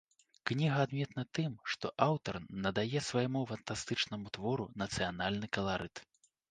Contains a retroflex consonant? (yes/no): yes